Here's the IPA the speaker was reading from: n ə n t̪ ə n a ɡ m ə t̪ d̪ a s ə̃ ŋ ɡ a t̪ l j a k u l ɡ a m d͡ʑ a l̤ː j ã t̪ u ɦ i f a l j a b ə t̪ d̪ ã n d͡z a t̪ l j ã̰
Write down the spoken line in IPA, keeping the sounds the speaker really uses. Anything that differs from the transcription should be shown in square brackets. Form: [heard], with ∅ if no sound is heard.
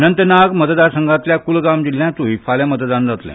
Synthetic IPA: n ə n t̪ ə n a ɡ m ə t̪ d̪ a s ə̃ ŋ ɡ a t̪ l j a k u l ɡ a m d͡ʑ [i] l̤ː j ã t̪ u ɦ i f a l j a [m] ə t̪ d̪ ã n d͡z a t̪ l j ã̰